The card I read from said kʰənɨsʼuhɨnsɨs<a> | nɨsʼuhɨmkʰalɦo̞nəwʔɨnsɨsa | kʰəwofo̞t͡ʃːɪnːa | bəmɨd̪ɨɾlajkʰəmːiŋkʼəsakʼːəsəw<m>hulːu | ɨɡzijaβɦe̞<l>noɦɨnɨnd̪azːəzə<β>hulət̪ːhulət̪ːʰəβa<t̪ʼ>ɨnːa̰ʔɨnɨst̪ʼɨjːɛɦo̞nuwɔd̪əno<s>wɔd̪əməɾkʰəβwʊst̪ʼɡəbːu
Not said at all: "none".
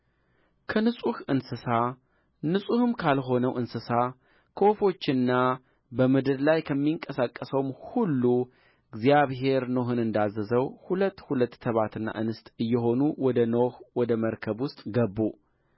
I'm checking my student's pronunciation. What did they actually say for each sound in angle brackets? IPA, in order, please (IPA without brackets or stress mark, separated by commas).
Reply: a, m, ɾ, w, t̪, h